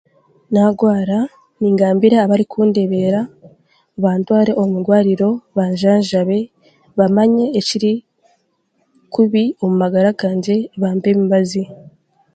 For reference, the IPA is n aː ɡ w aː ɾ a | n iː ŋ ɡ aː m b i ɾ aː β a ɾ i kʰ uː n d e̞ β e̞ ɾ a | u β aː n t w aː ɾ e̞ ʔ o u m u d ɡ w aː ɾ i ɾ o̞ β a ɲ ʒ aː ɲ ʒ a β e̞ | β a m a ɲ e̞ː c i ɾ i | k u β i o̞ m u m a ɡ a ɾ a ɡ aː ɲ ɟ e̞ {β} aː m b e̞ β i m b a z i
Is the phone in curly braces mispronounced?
no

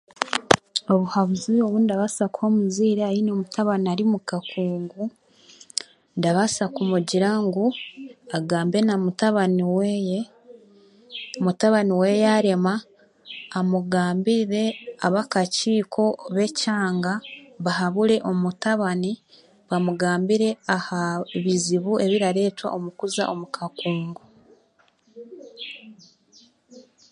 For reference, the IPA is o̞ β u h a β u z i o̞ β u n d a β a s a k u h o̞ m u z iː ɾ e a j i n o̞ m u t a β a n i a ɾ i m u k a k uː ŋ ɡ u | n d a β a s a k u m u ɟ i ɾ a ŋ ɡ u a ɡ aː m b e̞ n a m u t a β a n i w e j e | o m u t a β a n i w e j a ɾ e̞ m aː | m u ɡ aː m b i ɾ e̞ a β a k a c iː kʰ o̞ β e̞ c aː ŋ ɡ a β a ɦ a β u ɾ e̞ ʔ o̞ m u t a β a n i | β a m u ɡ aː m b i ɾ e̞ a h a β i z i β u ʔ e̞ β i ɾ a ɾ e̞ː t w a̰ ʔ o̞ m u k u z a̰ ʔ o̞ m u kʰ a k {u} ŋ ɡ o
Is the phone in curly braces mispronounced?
yes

